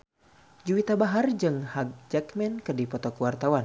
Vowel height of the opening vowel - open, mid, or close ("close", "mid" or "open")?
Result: close